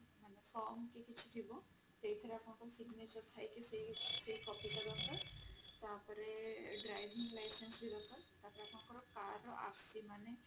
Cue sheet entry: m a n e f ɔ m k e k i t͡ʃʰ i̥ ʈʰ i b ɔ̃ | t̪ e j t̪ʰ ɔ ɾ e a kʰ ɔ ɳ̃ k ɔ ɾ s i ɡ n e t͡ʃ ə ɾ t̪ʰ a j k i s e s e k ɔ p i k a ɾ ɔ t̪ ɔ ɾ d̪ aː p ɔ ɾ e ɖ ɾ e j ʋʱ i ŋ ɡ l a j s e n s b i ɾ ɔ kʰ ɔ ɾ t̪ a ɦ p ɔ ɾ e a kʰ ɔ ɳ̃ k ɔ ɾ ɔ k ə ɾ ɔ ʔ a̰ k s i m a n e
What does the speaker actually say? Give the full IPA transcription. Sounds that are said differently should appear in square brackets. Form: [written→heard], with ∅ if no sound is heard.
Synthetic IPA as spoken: m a n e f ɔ m k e k i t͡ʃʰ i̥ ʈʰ i b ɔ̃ | t̪ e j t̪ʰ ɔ ɾ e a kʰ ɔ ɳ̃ k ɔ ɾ s i ɡ n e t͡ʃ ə ɾ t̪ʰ a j k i s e s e k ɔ p i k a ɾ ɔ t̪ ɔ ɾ [d̪→t̪] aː p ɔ ɾ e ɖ ɾ [e→a] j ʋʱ i ŋ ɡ l a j s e n s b i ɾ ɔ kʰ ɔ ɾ t̪ a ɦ p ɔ ɾ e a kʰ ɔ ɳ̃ k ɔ ɾ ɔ k [ə→a] ɾ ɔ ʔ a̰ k s i m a n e